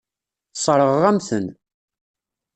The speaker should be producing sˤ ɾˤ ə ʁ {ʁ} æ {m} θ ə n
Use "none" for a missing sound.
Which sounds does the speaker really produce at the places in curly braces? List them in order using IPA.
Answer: ʁ, m

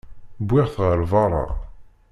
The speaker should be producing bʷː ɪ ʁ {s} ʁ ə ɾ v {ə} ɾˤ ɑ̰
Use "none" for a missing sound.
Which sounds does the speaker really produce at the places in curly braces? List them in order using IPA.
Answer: θ, ɑ

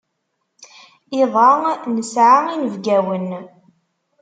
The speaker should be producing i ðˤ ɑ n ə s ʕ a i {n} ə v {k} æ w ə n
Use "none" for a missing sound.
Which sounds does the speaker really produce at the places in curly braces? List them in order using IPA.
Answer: n, ɡ

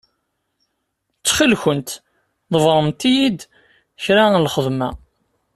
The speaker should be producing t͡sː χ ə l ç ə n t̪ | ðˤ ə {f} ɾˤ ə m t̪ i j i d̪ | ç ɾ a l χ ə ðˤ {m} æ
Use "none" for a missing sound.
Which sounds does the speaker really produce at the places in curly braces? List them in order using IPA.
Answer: v, m

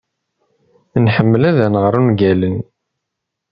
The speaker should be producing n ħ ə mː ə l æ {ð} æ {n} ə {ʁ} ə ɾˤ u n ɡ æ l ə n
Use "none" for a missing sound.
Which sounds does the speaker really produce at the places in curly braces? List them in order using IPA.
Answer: ð, n, ʁ

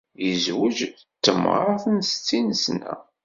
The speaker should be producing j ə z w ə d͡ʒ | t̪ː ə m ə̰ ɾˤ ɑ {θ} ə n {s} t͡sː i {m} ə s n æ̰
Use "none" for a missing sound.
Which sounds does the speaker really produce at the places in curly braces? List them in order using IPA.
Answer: θ, s, n

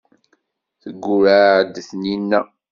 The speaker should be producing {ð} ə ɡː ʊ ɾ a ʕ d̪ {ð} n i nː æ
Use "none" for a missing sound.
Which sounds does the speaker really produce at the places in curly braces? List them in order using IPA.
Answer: θ, θ

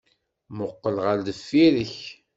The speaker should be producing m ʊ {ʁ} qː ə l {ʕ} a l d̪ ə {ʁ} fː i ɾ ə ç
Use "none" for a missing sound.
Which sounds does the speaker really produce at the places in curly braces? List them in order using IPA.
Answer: none, ʁ, none

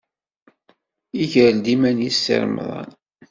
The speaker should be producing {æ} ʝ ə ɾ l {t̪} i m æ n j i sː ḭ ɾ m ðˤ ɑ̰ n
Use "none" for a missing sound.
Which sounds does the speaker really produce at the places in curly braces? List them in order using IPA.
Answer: i, d̪

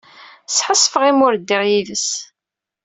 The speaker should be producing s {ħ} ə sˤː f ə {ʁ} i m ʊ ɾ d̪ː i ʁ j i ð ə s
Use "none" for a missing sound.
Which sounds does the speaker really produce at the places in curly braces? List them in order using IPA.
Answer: ħ, ʁ

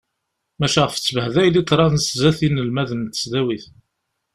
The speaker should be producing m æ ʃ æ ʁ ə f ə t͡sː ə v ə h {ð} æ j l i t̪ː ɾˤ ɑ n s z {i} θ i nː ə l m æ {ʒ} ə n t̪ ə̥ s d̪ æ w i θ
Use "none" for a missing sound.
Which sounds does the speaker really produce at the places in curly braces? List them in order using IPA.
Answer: ð, æ, ð

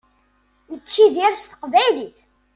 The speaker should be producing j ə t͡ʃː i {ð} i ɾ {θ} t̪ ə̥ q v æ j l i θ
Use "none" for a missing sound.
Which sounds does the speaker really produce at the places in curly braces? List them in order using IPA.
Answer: ð, s

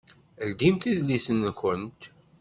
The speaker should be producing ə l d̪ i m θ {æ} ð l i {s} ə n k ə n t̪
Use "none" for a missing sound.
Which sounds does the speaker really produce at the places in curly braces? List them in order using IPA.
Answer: i, s

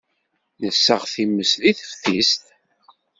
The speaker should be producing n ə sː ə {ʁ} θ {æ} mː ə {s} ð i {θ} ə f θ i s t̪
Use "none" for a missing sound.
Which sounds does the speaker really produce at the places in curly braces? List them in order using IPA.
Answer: ʁ, i, s, θ

